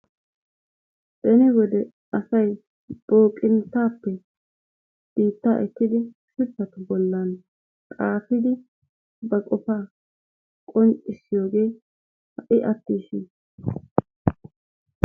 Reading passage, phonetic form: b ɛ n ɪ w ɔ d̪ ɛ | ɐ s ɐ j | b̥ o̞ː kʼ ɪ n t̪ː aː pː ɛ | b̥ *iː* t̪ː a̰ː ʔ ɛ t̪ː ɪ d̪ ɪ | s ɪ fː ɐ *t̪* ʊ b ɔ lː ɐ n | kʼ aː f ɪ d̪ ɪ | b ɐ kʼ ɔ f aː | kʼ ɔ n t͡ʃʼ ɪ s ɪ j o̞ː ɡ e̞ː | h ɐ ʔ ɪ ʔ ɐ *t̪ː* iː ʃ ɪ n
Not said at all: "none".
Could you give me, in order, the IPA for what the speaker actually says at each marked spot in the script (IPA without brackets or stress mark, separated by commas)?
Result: iː, t̪, t̪ː